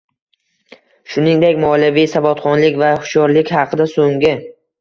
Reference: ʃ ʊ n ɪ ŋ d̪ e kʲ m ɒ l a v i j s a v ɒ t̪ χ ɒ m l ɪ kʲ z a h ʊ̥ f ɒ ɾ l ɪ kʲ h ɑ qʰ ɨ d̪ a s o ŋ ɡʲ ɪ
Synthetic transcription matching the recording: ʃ ʊ n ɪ ŋ d̪ e kʲ m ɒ l a v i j s a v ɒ t̪ χ ɒ n l ɪ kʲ v a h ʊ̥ ʃ ɒ ɾ l ɪ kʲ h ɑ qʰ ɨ d̪ a s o ŋ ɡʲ ɪ

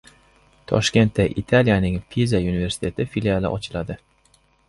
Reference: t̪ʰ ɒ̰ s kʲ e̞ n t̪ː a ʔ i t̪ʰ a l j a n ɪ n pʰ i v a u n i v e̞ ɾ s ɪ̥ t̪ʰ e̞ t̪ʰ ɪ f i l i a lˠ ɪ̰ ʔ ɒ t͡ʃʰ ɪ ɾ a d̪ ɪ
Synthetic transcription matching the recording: t̪ʰ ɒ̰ ʃ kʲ e̞ n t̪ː a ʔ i t̪ʰ a l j a n ɪ ŋ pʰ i z a u n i v e̞ ɾ s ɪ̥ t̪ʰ e̞ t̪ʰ ɪ f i l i a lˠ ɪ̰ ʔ ɒ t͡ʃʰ ɪ l a d̪ ɪ

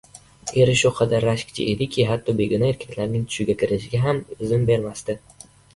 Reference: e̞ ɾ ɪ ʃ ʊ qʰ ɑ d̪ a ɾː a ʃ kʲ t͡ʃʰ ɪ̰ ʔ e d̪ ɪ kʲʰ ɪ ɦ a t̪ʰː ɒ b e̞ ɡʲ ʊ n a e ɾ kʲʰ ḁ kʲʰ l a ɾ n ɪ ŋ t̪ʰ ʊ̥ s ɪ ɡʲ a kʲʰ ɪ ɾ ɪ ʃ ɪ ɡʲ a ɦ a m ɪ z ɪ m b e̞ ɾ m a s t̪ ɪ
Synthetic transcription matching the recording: e̞ ɾ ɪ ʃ ʊ qʰ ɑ d̪ a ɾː a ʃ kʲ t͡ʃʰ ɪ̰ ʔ e d̪ ɪ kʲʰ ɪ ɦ a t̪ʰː ɒ b e̞ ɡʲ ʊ n a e ɾ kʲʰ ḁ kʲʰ l a ɾ n ɪ ŋ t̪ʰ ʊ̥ ʃ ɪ ɡʲ a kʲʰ ɪ ɾ ɪ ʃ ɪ ɡʲ a ɦ a m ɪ z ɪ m b e̞ ɾ m a s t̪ ɪ

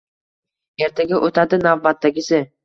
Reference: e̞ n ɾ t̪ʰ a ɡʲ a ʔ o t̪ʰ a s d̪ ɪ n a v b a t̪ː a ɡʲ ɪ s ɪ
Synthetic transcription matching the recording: e̞ ɾ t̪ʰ a ɡʲ a ʔ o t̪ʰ a d̪ ɪ n a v b a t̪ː a ɡʲ ɪ s ɪ

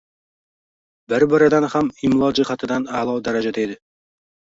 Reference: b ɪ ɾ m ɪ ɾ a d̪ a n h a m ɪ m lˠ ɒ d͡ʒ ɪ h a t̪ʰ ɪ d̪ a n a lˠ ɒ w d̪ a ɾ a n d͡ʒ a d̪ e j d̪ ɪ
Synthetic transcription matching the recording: b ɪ ɾ b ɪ ɾ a d̪ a n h a m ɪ m lˠ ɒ d͡ʒ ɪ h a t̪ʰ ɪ d̪ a n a lˠ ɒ w d̪ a ɾ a d͡ʒ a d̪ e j d̪ ɪ

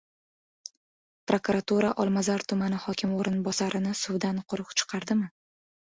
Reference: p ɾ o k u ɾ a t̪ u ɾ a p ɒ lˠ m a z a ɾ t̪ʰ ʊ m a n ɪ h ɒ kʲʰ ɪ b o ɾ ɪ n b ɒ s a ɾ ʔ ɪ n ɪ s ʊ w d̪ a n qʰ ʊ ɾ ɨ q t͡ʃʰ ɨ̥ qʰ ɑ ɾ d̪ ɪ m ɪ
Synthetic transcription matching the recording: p ɾ o k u ɾ a t̪ u ɾ a ʔ ɒ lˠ m a z a ɾ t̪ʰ ʊ m a n ɪ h ɒ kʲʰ ɪ m o ɾ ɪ n b ɒ s a ɾ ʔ ɪ n ɪ s ʊ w d̪ a n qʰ ʊ ɾ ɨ q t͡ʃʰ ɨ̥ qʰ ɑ ɾ d̪ ɪ m ɪ

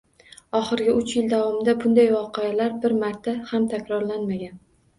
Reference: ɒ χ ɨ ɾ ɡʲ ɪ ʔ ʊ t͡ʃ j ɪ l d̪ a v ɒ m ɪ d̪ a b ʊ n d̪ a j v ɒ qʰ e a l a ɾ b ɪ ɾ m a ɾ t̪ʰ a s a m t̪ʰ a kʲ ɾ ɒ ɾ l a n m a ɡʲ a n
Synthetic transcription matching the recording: ɒ χ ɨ ɾ ɡʲ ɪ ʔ ʊ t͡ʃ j ɪ l d̪ a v ɒ m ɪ d̪ a b ʊ n d̪ a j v ɒ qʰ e a l a ɾ b ɪ ɾ m a ɾ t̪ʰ a h a m t̪ʰ a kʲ ɾ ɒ ɾ l a n m a ɡʲ a n

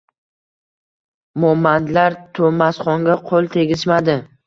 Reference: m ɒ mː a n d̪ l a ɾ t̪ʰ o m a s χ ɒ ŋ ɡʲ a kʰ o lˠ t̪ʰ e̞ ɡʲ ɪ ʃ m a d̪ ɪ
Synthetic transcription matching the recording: m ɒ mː a n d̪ l a ɾ t̪ʰ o m a s χ ɒ ŋ ɡʲ a qʰ o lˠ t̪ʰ e̞ ɡʲ ɪ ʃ m a d̪ ɪ

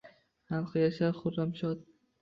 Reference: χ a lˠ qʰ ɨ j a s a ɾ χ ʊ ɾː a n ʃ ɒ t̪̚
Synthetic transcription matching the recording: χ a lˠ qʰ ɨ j a ʃ a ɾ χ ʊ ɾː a m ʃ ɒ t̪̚

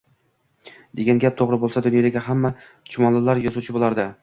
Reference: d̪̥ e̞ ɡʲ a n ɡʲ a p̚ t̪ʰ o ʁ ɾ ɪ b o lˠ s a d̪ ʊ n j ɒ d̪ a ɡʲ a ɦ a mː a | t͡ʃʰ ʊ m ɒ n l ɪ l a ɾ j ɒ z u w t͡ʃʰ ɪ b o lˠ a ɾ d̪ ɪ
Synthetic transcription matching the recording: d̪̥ e̞ ɡʲ a n ɡʲ a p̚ t̪ʰ o ʁ ɾ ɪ b o lˠ s a d̪ ʊ n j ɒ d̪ a ɡʲ a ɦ a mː a | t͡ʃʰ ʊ m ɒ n l ɪ l a ɾ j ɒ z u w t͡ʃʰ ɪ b o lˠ a ɾ d̪ ɪ

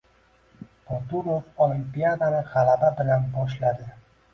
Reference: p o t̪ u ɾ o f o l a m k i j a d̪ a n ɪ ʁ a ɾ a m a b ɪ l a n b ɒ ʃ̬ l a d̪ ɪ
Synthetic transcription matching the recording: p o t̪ u ɾ o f o l i m p i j a d̪ a n ɪ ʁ a l a b a b ɪ l a n b ɒ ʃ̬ l a d̪ ɪ

